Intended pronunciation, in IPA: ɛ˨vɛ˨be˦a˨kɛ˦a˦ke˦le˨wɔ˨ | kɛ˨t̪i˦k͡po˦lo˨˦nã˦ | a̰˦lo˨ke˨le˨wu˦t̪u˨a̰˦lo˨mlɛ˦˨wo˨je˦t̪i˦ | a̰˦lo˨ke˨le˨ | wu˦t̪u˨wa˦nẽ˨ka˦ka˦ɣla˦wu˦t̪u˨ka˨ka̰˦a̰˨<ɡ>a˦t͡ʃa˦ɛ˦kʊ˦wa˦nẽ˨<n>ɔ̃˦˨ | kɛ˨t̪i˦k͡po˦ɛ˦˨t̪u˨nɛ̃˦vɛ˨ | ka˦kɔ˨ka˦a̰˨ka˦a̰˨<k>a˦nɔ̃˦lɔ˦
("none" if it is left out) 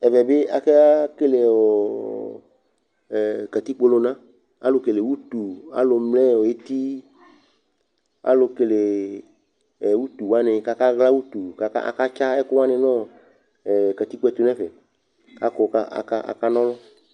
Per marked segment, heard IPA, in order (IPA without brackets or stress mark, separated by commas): k, n, k